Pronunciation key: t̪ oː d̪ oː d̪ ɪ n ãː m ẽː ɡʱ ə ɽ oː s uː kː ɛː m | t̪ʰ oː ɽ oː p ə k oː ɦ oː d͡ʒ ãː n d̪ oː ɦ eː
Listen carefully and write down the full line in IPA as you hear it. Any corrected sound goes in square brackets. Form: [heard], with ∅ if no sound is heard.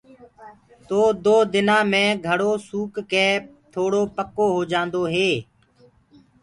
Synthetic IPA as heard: t̪ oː d̪ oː d̪ ɪ n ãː m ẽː ɡʱ ə ɽ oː s uː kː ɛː [∅] | t̪ʰ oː ɽ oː p ə k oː ɦ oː d͡ʒ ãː n d̪ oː ɦ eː